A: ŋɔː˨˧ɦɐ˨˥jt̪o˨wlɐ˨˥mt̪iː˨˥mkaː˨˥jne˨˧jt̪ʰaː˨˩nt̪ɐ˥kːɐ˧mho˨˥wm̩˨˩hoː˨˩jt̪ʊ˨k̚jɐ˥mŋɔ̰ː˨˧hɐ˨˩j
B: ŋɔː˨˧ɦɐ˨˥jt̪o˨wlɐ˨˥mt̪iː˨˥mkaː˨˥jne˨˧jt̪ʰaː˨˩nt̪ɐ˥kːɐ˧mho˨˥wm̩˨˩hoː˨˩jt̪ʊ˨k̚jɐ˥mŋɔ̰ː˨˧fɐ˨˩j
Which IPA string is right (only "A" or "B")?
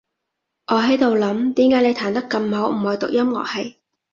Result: A